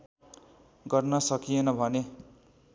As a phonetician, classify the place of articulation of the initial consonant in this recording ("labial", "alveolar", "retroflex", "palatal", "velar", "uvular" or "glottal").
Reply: velar